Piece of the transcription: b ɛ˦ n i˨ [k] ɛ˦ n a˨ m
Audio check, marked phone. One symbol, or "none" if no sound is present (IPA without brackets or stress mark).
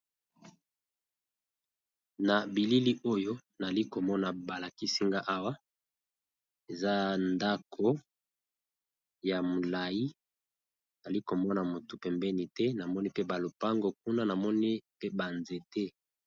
t